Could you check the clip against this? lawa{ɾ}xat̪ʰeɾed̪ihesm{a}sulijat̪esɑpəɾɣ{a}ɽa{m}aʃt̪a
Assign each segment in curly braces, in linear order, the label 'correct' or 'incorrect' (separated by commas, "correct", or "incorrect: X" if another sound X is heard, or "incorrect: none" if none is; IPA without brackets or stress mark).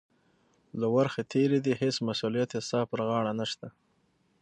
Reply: correct, correct, incorrect: ɑ, incorrect: n